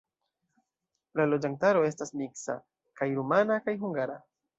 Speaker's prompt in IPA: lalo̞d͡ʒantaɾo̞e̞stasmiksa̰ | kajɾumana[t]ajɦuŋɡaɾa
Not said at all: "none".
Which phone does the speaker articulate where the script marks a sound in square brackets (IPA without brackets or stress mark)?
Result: k